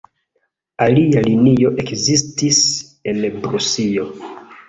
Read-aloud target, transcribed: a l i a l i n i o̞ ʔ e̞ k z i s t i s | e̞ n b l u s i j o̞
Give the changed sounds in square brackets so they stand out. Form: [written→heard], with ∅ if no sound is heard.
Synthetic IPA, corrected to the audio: a l i a l i n i o̞ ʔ e̞ k z i s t i s | e̞ n b [l→ɾ] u s i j o̞